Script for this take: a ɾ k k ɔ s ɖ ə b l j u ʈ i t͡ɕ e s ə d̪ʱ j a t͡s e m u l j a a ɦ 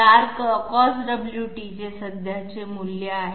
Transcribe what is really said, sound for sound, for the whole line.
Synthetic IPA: a ɾ k k ɔ s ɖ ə b l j u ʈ i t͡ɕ e s ə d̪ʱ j a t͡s e m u l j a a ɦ